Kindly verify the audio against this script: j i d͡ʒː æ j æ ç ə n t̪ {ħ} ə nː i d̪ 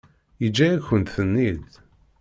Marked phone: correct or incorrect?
incorrect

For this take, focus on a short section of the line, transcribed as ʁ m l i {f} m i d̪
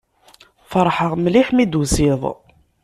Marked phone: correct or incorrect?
incorrect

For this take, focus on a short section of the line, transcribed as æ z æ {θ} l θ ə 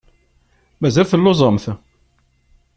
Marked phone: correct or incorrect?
incorrect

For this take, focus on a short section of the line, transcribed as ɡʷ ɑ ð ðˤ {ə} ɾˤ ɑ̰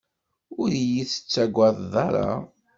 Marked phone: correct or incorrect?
incorrect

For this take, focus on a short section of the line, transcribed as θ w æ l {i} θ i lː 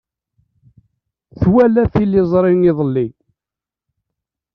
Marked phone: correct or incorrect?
incorrect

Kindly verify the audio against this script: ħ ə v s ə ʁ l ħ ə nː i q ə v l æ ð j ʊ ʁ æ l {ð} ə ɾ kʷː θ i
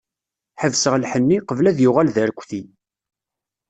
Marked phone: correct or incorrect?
correct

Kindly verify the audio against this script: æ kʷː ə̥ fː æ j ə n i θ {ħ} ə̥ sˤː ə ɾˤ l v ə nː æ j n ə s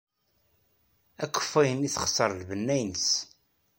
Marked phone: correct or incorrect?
incorrect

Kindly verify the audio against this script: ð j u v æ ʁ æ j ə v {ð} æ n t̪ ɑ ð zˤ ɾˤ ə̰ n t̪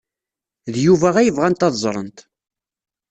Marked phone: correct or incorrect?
incorrect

